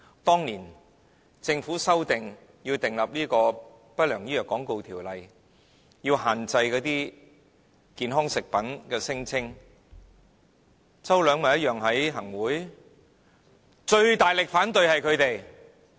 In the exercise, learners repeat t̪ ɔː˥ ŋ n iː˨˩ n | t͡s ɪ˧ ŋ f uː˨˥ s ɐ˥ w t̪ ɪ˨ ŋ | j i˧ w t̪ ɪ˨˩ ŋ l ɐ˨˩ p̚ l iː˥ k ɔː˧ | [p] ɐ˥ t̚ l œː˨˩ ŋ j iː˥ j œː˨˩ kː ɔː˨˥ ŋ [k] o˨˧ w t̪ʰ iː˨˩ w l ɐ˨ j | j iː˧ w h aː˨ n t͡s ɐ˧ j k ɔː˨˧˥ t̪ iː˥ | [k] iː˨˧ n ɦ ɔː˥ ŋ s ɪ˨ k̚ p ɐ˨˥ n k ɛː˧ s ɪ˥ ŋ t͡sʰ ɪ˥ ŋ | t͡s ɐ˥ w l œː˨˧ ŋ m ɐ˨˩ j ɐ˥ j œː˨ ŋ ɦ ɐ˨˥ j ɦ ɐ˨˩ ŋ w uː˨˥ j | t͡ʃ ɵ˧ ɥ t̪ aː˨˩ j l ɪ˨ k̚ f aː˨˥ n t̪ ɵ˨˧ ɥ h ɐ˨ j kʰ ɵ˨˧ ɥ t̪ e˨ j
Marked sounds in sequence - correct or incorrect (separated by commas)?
correct, correct, correct